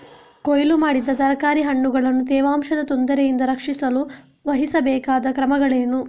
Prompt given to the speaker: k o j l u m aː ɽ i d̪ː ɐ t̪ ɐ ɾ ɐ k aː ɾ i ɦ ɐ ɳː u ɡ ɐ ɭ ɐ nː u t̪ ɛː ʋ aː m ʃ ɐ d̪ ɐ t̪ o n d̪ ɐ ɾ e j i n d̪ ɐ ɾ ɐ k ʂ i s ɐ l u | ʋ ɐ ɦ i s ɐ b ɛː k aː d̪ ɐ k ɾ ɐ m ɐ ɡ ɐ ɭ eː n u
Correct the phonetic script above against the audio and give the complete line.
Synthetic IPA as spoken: k o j l u m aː ɽ i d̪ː ɐ t̪ ɐ ɾ ɐ k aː ɾ i ɦ ɐ ɳː u ɡ ɐ ɭ ɐ nː u t̪ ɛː ʋ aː m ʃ ɐ d̪ ɐ t̪ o n d̪ ɐ ɾ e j i n d̪ ɐ ɾ ɐ k ʂ i s ɐ l u | ʋ ɐ ɦ i s ɐ b ɛː k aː d̪ ɐ k ɾ ɐ m ɐ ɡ ɐ ɭ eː n u